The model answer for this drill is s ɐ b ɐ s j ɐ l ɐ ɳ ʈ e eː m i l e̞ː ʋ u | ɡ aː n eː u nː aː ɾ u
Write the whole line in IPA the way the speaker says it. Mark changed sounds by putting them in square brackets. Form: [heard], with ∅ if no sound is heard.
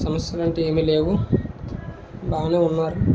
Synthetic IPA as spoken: s ɐ [m] ɐ s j ɐ l ɐ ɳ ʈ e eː m i l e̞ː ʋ u | [b] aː n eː u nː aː ɾ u